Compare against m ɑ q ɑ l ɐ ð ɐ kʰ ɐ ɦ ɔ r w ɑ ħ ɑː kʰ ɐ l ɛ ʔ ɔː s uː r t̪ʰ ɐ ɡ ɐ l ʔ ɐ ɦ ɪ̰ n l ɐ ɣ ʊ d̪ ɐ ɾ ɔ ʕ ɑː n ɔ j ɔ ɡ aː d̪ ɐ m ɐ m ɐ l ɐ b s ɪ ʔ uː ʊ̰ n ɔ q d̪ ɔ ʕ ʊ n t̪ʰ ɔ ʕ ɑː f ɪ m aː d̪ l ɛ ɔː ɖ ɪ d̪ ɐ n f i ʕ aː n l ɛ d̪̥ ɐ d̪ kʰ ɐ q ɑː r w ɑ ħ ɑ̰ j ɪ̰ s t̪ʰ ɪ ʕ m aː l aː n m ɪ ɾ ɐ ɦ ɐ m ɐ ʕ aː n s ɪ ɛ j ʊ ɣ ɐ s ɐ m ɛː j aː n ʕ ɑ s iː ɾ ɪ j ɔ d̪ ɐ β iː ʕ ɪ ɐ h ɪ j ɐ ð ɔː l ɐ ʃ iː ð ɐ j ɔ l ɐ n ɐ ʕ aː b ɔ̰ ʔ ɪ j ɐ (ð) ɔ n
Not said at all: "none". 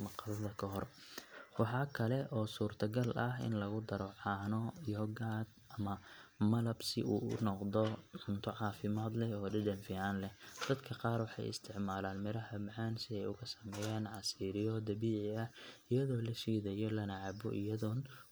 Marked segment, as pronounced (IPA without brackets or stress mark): ð